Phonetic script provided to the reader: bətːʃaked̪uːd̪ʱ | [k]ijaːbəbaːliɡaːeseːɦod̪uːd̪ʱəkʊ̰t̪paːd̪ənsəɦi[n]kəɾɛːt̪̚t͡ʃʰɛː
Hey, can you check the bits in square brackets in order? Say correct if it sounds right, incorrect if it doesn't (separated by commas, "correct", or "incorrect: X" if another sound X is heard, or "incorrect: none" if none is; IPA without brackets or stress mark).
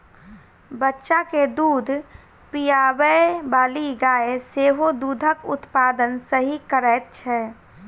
incorrect: p, incorrect: none